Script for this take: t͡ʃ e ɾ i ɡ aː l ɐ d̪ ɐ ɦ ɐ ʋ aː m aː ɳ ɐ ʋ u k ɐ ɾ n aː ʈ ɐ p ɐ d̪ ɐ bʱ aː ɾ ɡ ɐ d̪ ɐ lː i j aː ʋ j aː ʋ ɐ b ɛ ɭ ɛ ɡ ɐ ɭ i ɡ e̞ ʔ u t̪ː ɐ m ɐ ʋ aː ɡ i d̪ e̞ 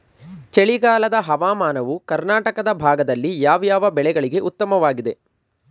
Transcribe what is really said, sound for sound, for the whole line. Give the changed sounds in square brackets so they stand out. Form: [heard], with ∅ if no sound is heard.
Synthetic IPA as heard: t͡ʃ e [ɭ] i ɡ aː l ɐ d̪ ɐ ɦ ɐ ʋ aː m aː [n] ɐ ʋ u k ɐ ɾ n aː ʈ ɐ [k] ɐ d̪ ɐ bʱ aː [∅] ɡ ɐ d̪ ɐ lː i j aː ʋ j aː ʋ ɐ b ɛ ɭ ɛ ɡ ɐ ɭ i ɡ e̞ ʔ u t̪ː ɐ m ɐ ʋ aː ɡ i d̪ e̞